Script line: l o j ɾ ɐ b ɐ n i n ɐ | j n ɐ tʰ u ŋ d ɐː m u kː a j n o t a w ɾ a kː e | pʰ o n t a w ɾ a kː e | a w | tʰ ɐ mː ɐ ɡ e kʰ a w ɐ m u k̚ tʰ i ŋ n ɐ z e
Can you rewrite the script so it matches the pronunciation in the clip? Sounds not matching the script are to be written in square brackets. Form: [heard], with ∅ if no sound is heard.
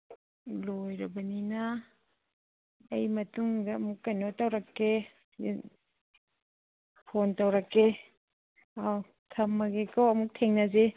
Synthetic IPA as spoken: l o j ɾ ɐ b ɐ n i n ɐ | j [m] ɐ [t] u ŋ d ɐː m u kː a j n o t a w ɾ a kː e | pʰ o n t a w ɾ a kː e | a w | tʰ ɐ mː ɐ ɡ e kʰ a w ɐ m u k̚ tʰ [e] ŋ n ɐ z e